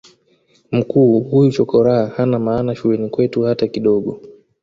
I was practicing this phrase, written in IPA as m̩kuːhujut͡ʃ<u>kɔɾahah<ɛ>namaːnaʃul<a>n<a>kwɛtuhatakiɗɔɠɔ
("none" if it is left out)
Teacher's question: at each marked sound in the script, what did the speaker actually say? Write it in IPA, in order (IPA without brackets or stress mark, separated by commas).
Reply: ɔ, a, ɛ, i